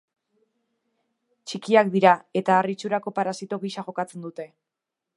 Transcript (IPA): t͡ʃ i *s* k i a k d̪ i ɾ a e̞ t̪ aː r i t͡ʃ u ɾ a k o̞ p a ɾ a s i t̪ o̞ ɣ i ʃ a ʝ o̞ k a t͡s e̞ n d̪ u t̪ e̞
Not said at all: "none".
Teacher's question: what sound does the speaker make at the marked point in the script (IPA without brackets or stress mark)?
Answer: none